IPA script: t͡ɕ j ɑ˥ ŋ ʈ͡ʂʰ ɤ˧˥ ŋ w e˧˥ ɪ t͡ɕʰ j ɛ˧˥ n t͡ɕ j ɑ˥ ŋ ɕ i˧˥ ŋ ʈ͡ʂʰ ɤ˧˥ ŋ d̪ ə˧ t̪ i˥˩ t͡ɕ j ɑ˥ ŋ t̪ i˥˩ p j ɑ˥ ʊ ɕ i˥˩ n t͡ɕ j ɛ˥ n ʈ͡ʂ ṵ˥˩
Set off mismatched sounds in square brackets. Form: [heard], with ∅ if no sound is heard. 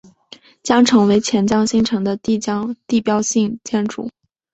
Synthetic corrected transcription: t͡ɕ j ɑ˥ ŋ ʈ͡ʂʰ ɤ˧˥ ŋ w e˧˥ ɪ t͡ɕʰ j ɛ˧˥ n t͡ɕ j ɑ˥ ŋ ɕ [i˥˩] ŋ ʈ͡ʂʰ ɤ˧˥ ŋ d̪ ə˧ t̪ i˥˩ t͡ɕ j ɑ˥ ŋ t̪ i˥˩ p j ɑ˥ ʊ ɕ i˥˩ [ŋ] t͡ɕ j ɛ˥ n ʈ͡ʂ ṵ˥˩